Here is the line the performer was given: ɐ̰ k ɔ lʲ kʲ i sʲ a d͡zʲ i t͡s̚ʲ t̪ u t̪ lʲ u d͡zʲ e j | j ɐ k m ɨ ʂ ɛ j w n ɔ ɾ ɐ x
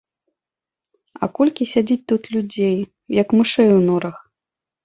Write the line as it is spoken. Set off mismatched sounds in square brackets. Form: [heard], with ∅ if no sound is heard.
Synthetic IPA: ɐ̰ k ɔ lʲ kʲ i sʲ a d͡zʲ i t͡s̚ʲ t̪ u t̪ lʲ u d͡zʲ e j | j ɐ k m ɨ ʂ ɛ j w n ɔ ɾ ɐ x